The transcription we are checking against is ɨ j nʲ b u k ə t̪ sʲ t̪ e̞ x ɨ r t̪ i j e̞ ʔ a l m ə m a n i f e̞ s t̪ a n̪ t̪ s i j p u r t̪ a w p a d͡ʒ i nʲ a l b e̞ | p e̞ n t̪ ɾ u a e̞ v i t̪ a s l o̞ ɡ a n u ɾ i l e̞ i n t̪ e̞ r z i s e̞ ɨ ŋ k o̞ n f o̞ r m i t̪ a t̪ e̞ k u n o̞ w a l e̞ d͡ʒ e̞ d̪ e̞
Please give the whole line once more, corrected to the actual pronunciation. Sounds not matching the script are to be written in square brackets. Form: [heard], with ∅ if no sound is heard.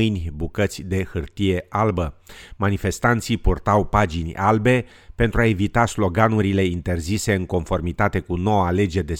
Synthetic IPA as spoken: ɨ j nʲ b u k ə t̪ sʲ [d̪] e̞ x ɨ r t̪ i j e̞ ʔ a l [b] ə m a n i f e̞ s t̪ a n̪ t̪ s i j p u r t̪ a w p a d͡ʒ i nʲ a l b e̞ | p e̞ n t̪ ɾ u a e̞ v i t̪ a s l o̞ ɡ a n u ɾ i l e̞ i n t̪ e̞ r z i s e̞ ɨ ŋ k o̞ n f o̞ r m i t̪ a t̪ e̞ k u n o̞ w a l e̞ d͡ʒ e̞ d̪ e̞